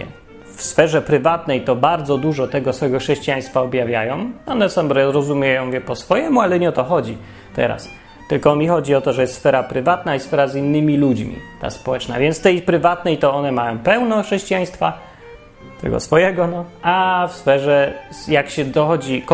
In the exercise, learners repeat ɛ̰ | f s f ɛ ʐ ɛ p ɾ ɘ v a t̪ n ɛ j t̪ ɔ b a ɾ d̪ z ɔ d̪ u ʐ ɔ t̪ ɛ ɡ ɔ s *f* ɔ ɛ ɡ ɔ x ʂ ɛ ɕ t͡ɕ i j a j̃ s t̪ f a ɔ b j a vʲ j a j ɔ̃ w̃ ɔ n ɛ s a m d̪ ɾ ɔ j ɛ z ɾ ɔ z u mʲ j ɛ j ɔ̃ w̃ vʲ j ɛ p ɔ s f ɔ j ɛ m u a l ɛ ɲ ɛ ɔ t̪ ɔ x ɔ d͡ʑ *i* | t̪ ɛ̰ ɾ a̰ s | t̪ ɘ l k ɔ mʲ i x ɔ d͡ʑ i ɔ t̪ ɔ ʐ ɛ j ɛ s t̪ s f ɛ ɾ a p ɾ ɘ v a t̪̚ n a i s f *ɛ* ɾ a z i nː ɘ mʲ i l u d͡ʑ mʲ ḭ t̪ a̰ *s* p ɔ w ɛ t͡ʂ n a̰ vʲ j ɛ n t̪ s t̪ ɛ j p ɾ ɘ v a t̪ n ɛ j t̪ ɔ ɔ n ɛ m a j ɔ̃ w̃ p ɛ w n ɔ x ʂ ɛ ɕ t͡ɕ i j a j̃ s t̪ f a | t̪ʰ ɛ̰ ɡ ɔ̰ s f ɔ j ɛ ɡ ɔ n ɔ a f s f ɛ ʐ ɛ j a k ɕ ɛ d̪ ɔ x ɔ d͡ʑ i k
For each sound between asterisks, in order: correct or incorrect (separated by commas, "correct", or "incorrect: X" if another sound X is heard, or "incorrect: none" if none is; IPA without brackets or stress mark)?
correct, correct, correct, correct